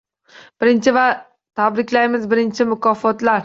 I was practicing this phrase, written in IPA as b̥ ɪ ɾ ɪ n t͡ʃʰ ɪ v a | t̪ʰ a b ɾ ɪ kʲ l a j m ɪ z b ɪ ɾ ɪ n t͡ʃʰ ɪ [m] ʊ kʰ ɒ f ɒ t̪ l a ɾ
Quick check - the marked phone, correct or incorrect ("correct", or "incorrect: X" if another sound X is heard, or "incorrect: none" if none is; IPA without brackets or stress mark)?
correct